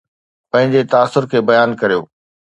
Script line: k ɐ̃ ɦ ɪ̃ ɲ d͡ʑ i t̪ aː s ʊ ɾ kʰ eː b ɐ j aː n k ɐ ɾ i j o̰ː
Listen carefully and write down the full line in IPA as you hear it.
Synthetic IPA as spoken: p ɐ̃ ɦ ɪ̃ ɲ d͡ʑ e t̪ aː s ʊ ɾ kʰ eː b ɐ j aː n k ɐ ɾ i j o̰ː